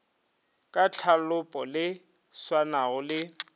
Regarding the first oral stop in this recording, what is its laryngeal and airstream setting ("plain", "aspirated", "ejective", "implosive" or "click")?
ejective